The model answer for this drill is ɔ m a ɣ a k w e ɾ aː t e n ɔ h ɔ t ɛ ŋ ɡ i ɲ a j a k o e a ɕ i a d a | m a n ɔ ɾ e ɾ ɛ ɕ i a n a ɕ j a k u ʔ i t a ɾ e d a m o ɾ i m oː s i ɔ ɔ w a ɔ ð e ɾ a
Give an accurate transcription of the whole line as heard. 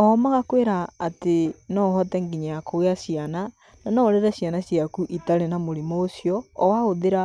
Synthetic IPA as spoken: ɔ m a ɣ a k w e ɾ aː t e n ɔ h ɔ t ɛ ŋ ɡ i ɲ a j a k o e a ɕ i a n a | n a n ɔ ɾ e ɾ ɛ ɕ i a n a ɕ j a k u ʔ i t a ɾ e n a m o ɾ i m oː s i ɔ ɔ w a o ð e ɾ a